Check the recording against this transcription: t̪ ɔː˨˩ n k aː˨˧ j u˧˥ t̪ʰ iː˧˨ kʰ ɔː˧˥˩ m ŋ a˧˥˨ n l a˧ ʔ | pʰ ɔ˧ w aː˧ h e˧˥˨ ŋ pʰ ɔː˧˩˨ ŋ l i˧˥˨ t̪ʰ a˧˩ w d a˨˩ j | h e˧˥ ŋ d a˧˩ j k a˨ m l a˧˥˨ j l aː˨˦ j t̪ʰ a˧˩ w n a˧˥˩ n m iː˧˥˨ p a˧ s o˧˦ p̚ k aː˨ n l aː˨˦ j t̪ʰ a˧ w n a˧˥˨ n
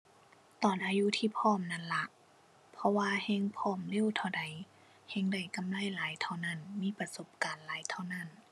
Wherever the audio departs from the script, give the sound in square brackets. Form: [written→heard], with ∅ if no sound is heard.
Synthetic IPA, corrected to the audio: t̪ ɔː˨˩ n [k→ʔ] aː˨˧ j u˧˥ t̪ʰ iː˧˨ [kʰ→pʰ] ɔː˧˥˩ m [ŋ→n] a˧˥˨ n l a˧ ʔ | pʰ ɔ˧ w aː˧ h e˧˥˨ ŋ pʰ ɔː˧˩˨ [ŋ→m] l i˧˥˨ t̪ʰ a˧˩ w d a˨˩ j | h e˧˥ ŋ d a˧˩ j k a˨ m l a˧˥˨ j l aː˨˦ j t̪ʰ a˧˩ w n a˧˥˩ n m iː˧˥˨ p a˧ s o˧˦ p̚ k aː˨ n l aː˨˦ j t̪ʰ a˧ w n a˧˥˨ n

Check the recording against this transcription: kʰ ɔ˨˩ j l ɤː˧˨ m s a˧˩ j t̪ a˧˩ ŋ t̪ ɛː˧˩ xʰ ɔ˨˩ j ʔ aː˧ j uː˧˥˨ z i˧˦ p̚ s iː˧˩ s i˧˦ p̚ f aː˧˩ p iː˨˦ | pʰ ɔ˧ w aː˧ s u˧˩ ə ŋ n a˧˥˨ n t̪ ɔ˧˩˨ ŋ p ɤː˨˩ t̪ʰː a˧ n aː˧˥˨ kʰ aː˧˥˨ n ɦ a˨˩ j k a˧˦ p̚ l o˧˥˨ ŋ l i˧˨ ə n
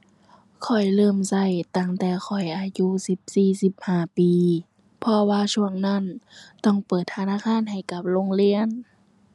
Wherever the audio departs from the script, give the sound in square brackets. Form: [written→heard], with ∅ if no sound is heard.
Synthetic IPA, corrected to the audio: kʰ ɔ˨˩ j l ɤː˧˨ m s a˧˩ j t̪ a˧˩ ŋ t̪ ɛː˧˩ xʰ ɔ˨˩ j ʔ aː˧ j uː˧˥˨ [z→s] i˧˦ p̚ s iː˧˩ s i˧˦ p̚ [f→h] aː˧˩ p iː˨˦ | pʰ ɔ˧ w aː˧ s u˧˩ ə ŋ n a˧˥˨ n t̪ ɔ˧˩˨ ŋ p ɤː˨˩ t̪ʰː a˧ n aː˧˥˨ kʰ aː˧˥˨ n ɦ a˨˩ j k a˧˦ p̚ l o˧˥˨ ŋ l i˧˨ ə n

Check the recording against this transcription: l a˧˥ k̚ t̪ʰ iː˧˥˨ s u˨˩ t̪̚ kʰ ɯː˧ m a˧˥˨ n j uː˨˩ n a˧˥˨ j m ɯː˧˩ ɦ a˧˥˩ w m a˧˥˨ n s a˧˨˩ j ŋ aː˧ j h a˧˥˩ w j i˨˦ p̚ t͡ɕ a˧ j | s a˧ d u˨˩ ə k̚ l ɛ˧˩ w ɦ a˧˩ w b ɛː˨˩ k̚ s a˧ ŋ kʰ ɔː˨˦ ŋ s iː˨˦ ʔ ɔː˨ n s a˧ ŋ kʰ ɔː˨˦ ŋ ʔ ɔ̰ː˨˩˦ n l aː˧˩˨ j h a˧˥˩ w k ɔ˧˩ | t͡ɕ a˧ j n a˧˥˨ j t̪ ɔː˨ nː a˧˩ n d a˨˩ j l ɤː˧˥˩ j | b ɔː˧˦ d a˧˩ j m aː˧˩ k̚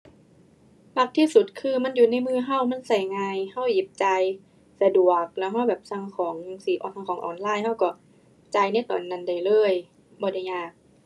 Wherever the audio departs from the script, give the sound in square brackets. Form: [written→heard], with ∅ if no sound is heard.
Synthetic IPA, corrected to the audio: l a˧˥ k̚ t̪ʰ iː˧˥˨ s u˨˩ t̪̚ kʰ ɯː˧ m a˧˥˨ n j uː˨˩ n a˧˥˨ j m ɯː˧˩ ɦ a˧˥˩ w m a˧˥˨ n s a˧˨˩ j ŋ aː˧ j h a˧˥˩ w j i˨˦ p̚ t͡ɕ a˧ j | s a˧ d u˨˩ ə k̚ l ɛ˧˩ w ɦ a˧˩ w b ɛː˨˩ [k̚→p̚] s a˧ ŋ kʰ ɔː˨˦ ŋ s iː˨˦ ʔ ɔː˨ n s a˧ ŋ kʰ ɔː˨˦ ŋ ʔ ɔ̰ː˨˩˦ n l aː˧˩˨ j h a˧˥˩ w k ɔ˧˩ | t͡ɕ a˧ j n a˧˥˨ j t̪ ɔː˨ nː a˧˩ n d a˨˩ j l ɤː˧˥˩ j | b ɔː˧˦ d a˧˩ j [m→ɲ] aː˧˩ k̚

